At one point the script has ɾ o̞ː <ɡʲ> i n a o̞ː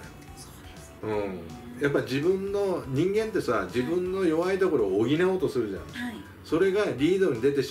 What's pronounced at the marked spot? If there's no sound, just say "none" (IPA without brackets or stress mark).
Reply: ɡʲ